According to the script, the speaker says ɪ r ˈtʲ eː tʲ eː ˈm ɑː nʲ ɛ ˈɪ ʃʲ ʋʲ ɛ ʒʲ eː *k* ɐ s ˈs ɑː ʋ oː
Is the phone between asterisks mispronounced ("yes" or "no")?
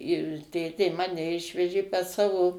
yes